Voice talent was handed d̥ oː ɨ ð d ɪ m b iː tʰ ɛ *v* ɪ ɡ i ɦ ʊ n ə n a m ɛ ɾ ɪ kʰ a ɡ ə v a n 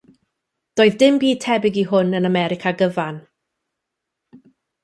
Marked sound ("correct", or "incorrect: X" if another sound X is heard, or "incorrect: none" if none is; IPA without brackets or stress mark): incorrect: b